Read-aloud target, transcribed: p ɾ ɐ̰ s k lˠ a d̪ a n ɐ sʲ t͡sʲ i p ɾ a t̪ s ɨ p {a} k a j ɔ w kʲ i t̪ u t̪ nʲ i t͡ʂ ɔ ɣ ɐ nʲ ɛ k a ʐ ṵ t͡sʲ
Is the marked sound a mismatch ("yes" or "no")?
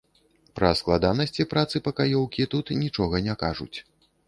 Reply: yes